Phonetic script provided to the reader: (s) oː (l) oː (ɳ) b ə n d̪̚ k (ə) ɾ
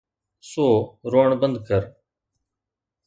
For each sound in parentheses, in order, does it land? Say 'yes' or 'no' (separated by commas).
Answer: yes, no, yes, yes